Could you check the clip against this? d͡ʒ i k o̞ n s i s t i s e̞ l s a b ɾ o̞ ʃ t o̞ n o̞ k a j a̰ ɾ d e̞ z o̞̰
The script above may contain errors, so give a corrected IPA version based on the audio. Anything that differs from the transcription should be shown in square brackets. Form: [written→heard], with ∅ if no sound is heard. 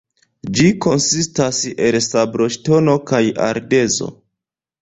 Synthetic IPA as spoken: d͡ʒ i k o̞ n s i s t [i→a] s e̞ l s a b ɾ o̞ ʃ t o̞ n o̞ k a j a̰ ɾ d e̞ z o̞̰

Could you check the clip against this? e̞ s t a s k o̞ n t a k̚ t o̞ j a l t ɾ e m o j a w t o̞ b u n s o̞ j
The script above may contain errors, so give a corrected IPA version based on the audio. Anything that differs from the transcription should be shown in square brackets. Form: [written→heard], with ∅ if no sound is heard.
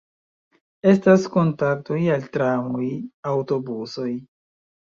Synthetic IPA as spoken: e̞ s t a s k o̞ n t a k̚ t o̞ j a l t ɾ [e→a] m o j a w t o̞ b u [n→∅] s o̞ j

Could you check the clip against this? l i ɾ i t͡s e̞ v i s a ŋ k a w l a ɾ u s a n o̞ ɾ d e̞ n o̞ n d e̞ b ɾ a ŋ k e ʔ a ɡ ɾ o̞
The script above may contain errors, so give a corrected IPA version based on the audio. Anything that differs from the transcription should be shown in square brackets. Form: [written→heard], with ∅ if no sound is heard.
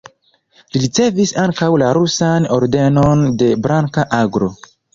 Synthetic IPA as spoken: l i ɾ i t͡s e̞ v i s a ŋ k a w l a ɾ u s a n o̞ ɾ d e̞ n o̞ n d e̞ b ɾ a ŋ k [e→a] ʔ a ɡ ɾ o̞

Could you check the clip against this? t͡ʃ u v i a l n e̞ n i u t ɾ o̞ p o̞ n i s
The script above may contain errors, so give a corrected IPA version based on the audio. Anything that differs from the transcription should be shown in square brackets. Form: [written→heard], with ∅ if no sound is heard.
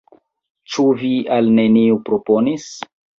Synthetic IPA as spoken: t͡ʃ u v i a l n e̞ n i u [t→p] ɾ o̞ p o̞ n i s

